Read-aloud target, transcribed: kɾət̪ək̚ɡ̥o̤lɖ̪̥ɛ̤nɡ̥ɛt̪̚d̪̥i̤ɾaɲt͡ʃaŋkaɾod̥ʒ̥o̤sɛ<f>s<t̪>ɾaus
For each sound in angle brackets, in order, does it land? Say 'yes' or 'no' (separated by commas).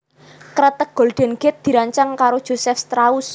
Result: yes, yes